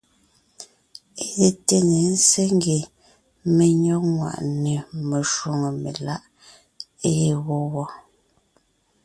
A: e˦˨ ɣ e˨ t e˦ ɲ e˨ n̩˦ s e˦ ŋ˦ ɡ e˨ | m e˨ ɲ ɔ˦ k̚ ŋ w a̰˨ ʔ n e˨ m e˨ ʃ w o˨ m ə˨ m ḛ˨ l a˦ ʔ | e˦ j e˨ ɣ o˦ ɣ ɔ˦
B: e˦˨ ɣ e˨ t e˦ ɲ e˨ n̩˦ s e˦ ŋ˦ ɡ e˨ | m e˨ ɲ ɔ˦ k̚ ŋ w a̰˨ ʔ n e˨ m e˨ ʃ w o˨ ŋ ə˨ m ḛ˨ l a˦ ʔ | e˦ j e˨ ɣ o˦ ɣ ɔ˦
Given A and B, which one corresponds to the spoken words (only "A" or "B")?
B